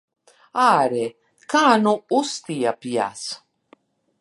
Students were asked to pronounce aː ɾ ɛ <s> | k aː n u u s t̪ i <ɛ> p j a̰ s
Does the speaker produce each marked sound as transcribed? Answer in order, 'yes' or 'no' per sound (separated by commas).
no, no